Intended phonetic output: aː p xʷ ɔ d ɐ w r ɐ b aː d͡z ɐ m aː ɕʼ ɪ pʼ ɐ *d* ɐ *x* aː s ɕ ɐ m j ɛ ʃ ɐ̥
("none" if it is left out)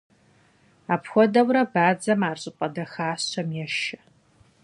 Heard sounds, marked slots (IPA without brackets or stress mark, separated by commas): d, x